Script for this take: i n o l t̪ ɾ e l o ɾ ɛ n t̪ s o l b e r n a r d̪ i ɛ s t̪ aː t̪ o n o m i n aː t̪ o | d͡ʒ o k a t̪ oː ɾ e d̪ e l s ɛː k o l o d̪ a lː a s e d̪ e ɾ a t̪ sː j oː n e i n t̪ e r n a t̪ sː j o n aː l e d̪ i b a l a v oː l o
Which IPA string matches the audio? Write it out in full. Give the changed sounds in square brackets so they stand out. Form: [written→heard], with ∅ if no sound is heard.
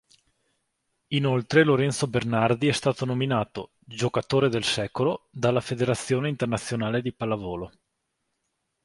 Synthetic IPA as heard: i n o l t̪ ɾ e l o ɾ ɛ n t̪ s o [l→∅] b e r n a r d̪ i ɛ s t̪ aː t̪ o n o m i n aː t̪ o | d͡ʒ o k a t̪ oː ɾ e d̪ e l s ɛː k o l o d̪ a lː a [s→f] e d̪ e ɾ a t̪ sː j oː n e i n t̪ e r n a t̪ sː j o n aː l e d̪ i [b→p] a l a v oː l o

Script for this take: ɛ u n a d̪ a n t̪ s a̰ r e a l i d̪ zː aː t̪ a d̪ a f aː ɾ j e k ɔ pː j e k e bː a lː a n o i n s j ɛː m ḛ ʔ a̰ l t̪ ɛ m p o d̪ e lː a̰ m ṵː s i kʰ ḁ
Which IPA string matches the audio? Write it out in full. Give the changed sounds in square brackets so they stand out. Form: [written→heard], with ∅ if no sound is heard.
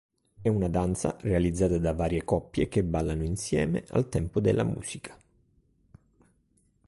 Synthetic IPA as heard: ɛ u n a d̪ a n t̪ s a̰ r e a l i d̪ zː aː t̪ a d̪ a [f→v] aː ɾ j e k ɔ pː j e k e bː a lː a n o i n s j ɛː m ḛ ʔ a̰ l t̪ ɛ m p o d̪ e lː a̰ m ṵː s i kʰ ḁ

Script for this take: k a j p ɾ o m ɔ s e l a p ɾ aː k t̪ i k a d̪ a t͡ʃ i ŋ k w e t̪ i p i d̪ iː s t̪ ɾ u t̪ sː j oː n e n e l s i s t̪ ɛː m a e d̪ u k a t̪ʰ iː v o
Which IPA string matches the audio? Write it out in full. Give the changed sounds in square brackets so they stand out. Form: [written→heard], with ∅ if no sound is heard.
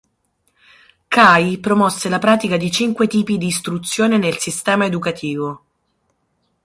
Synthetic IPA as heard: k a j p ɾ o m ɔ [s→sː] e l a p ɾ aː [k→∅] t̪ i k a d̪ [a→i] t͡ʃ i ŋ k w e t̪ [i→iː] p i d̪ iː s t̪ ɾ u t̪ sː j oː n e n e l s i s t̪ ɛː m a e d̪ u k a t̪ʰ iː v o

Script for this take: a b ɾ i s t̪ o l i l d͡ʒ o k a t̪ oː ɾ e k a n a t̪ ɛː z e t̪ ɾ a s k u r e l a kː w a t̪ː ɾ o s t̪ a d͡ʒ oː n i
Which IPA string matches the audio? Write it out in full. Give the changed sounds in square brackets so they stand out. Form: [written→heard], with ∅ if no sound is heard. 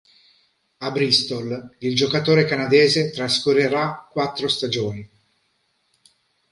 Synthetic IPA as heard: a b ɾ i s t̪ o l i l d͡ʒ o k a t̪ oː ɾ e k a n a [t̪→d̪] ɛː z e t̪ ɾ a s k u r e [l→ɾ] a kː w a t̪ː ɾ o s t̪ a d͡ʒ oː n i

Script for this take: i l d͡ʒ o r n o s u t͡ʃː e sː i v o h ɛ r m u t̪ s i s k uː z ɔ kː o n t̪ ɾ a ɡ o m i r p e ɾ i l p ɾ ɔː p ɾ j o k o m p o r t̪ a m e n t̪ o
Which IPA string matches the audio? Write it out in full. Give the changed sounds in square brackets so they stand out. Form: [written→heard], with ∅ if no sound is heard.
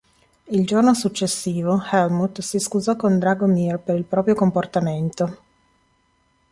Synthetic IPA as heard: i l d͡ʒ o r n o s u t͡ʃː e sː [i→iː] v o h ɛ [r→l] m u t̪ s i s k [uː→u] z ɔ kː o n [t̪→d̪] ɾ a ɡ o m i r p e ɾ i l p ɾ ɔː p ɾ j o k o m p o r t̪ a m e n t̪ o

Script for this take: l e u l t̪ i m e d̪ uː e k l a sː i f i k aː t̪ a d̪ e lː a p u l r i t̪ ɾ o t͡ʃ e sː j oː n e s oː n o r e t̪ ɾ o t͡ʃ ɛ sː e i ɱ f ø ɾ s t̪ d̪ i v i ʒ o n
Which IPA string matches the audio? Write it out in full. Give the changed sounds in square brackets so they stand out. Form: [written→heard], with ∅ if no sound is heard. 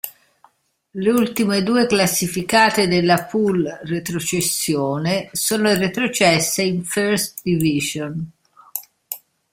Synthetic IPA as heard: l e u l t̪ i m e d̪ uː e k l a sː i f i k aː t̪ [a→e] d̪ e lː a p u l r [i→e] t̪ ɾ o t͡ʃ e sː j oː n e s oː n o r e t̪ ɾ o t͡ʃ ɛ sː e i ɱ f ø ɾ s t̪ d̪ i v i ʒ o n

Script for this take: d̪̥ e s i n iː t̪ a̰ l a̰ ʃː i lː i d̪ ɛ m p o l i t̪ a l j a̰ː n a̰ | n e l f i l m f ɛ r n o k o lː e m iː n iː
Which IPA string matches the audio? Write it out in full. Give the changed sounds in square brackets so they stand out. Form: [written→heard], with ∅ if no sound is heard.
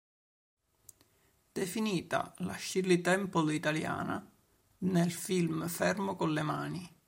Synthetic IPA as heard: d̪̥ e [s→f] i n iː t̪ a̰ l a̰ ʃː i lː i [d̪→t̪] ɛ m p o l i t̪ a l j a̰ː n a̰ | n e l f i l m f ɛ r [n→m] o k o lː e m [iː→aː] n [iː→i]

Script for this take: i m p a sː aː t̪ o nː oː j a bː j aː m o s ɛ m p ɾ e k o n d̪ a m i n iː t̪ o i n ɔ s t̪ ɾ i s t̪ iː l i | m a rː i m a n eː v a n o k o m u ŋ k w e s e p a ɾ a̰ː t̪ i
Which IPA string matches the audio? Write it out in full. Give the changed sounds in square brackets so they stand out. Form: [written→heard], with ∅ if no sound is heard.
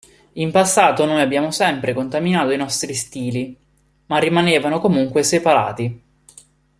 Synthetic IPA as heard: i m p a sː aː t̪ o [nː→n] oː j a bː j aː m o s ɛ m p ɾ e k o n [d̪→t̪] a m i n [iː→aː] t̪ o i n ɔ s t̪ ɾ i s t̪ iː l i | m a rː i m a n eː v a n o k o m u ŋ k w e s e p a ɾ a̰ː t̪ i

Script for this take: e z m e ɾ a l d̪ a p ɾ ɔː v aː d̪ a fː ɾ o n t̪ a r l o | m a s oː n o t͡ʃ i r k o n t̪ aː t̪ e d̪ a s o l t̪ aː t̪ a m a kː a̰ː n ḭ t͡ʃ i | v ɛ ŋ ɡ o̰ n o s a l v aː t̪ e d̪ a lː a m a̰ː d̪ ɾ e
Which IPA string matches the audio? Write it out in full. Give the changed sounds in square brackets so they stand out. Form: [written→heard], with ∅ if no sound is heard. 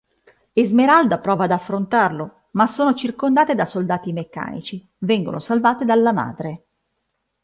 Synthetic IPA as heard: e z m e ɾ a l d̪ a p ɾ ɔː v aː d̪ a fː ɾ o n t̪ a r l o | m a s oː n o t͡ʃ i r k o n [t̪→d̪] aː t̪ e d̪ a s o l [t̪→d̪] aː t̪ [a→i] m [a→e] kː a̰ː n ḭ t͡ʃ i | v ɛ ŋ ɡ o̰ n o s a l v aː t̪ e d̪ a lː a m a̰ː d̪ ɾ e

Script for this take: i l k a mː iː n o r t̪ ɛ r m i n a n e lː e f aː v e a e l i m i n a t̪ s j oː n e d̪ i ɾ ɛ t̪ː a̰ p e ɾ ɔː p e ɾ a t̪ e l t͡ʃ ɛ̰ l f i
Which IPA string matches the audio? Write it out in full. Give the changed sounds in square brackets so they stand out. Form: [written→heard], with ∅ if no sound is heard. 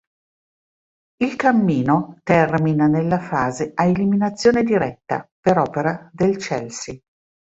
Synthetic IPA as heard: i l k a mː iː n o [r→∅] t̪ ɛ r m i n a n e lː [e→a] f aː [v→z] e a e l i m i n a t̪ [s→sː] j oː n e d̪ i ɾ ɛ t̪ː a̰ p e ɾ ɔː p e ɾ a [t̪→d̪] e l t͡ʃ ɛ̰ l [f→s] i

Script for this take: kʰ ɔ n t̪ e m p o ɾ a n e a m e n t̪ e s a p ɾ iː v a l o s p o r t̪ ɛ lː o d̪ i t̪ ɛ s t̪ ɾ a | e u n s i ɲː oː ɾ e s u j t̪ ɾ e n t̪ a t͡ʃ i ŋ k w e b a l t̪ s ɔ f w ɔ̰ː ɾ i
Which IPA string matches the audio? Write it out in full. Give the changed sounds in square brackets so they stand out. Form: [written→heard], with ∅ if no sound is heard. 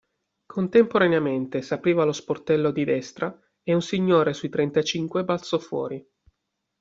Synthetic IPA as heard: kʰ [ɔ→o] n t̪ e m p o ɾ a n e a m e n t̪ e s a p ɾ iː v a l o s p o r t̪ ɛ lː o d̪ i [t̪→d̪] ɛ s t̪ ɾ a | e u n s i ɲː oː ɾ e s u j t̪ ɾ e n t̪ a t͡ʃ i ŋ k w e b a l t̪ s ɔ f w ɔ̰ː ɾ i

